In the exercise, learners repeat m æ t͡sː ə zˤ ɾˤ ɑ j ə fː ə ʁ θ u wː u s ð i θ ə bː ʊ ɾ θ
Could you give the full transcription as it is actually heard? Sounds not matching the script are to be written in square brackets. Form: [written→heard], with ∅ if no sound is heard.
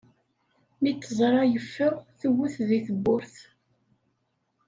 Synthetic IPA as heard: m [æ→i] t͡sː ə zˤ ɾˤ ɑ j ə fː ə ʁ θ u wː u [s→θ] ð i θ ə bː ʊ ɾ θ

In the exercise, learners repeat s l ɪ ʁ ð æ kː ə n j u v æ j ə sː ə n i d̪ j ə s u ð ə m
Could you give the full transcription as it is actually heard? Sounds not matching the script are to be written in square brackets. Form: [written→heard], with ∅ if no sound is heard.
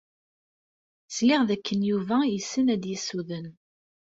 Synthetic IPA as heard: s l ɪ ʁ ð æ kː ə n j u v æ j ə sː ə n [i→æ] d̪ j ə s u ð ə [m→n]

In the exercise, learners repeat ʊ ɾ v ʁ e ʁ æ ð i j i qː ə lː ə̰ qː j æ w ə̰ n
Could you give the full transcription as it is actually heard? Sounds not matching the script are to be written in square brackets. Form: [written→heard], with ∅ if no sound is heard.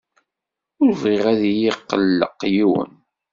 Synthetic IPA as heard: ʊ ɾ v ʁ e ʁ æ ð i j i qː ə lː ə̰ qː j [æ→i] w ə̰ n

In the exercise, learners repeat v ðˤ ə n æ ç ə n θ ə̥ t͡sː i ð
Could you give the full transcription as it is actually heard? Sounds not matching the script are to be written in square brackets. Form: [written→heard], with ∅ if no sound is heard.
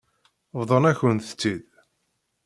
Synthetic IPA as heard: v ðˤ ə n æ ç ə n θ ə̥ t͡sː i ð

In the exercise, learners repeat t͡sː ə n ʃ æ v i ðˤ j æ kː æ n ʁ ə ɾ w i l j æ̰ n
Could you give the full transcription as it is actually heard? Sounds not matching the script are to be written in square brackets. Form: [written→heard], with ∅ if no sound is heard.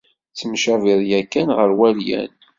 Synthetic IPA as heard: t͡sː ə [n→m] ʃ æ v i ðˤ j æ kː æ n ʁ ə ɾ w [i→æ] l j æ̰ n

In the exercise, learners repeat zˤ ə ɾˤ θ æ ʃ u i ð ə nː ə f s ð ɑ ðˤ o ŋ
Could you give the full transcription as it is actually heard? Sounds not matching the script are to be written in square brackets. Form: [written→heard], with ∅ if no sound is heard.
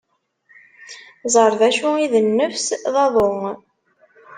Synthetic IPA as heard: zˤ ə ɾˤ [θ→ð] æ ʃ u i ð ə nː ə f s ð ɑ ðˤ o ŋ

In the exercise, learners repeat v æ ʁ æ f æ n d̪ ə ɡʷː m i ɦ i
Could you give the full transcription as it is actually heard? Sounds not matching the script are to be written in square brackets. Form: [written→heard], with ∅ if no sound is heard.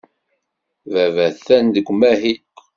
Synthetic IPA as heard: v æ [ʁ→v] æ [f→θ] æ n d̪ ə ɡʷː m [i→æ] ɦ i

